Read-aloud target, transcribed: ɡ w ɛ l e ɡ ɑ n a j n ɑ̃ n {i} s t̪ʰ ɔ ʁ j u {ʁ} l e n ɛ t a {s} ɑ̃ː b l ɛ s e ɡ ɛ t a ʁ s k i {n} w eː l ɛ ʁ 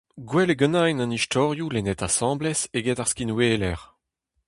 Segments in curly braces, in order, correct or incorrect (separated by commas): correct, incorrect, correct, correct